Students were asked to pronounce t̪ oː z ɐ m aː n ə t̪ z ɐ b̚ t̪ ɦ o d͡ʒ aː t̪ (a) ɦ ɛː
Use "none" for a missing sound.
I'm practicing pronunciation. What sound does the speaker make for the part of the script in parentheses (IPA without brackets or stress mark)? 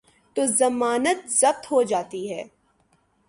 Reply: i